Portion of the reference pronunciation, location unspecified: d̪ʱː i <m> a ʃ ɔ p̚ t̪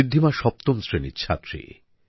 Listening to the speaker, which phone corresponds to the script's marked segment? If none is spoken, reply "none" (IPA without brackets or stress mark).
m